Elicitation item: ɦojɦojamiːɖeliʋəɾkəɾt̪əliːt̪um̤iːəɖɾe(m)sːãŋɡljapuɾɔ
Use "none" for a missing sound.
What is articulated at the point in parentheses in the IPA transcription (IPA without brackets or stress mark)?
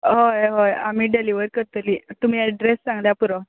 none